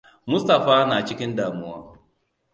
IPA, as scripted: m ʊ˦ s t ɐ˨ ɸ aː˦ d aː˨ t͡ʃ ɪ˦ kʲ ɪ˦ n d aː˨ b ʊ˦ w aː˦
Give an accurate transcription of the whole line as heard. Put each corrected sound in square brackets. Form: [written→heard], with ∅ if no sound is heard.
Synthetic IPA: m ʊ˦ s t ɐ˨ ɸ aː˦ [d→n] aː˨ t͡ʃ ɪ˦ kʲ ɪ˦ n d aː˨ [b→m] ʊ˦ w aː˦